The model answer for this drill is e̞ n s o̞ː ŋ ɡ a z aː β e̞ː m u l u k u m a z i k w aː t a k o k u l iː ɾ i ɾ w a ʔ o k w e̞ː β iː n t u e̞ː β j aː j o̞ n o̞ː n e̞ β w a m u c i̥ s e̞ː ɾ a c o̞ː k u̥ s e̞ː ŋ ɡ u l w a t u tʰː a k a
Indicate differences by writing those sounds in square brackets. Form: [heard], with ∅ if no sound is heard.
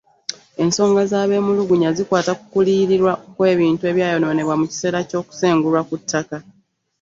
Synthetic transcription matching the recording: e̞ n s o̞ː ŋ ɡ a z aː β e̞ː m u l u [ɡ] u [ɲ] a z i k w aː t a k [u] k u l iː ɾ i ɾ w a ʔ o k w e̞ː β iː n t u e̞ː β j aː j o̞ n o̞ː n e̞ β w a m u c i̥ s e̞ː ɾ a c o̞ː k u̥ s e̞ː ŋ ɡ u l w a [k] u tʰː a k a